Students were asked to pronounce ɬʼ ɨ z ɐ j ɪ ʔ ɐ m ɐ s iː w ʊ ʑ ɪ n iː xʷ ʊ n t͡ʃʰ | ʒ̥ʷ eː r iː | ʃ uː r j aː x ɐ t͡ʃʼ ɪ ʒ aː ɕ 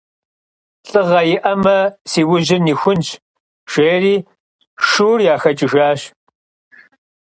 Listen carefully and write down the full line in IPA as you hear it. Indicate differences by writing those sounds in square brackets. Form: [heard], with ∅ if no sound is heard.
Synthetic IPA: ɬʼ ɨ [ʁ] ɐ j ɪ ʔ ɐ m ɐ s iː w ʊ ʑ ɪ n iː xʷ ʊ n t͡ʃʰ | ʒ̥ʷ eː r iː | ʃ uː r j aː x ɐ t͡ʃʼ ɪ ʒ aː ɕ